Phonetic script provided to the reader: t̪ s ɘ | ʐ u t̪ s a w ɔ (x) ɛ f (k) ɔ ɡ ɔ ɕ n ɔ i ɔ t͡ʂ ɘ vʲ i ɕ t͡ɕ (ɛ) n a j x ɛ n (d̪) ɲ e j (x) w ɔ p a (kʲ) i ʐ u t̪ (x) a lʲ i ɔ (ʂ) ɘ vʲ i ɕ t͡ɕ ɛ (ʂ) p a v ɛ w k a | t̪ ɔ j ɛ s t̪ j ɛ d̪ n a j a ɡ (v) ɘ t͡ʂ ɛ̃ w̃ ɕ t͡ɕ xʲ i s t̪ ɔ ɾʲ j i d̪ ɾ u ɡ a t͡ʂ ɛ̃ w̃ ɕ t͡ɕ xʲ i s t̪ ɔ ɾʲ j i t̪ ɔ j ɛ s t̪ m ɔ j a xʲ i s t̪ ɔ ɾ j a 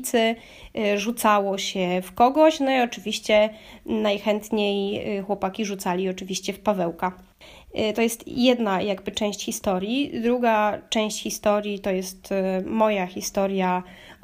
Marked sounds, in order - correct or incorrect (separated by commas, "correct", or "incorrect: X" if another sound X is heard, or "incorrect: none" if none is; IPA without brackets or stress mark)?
incorrect: ɕ, correct, correct, incorrect: t̪, correct, correct, incorrect: s, incorrect: t͡ʂ, incorrect: f, incorrect: b